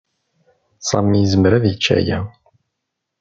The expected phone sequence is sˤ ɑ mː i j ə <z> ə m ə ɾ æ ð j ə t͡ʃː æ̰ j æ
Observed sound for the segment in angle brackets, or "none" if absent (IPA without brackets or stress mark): z